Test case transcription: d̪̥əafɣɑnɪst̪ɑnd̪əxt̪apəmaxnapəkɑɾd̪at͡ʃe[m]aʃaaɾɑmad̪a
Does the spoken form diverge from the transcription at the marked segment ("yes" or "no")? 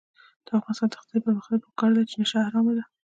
yes